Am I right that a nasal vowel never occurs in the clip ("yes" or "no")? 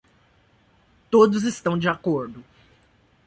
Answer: no